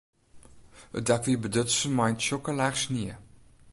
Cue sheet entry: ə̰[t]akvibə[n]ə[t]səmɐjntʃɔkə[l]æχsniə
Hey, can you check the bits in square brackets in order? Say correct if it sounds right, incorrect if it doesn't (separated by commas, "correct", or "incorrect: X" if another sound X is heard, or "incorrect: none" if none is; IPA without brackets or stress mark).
incorrect: d, incorrect: d, correct, correct